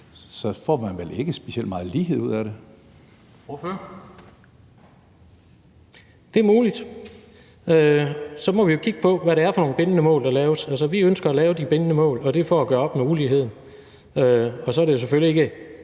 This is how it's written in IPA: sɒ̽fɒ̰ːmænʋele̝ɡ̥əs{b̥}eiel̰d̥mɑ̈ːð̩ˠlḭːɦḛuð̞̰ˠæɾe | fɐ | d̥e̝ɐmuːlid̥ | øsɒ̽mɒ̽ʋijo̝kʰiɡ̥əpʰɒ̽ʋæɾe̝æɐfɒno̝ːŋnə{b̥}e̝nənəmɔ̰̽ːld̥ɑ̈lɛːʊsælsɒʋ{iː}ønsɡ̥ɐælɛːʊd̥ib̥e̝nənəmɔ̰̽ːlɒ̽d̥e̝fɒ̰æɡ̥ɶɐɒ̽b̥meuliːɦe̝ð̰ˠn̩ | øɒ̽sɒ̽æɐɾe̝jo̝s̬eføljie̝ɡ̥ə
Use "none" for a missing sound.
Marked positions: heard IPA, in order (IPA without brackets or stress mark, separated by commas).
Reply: b̥, b̥, i